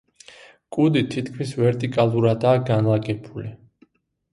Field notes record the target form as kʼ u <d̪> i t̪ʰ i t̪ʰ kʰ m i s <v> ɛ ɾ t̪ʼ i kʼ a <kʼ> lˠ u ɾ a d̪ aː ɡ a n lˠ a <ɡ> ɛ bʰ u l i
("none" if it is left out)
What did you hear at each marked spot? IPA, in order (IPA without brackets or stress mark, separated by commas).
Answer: d̪, v, none, ɡ